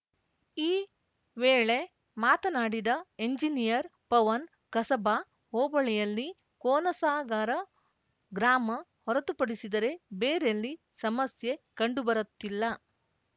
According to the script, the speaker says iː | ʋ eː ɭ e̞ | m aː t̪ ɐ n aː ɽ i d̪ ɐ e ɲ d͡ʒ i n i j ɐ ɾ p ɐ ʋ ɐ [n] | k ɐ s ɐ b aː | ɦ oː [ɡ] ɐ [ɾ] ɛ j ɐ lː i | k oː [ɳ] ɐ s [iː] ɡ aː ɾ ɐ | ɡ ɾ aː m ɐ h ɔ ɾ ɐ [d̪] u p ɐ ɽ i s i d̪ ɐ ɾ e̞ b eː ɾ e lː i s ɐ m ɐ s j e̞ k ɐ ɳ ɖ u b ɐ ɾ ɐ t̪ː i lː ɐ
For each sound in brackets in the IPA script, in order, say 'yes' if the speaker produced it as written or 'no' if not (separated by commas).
yes, no, no, no, no, no